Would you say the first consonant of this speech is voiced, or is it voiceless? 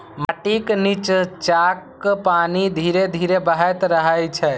voiced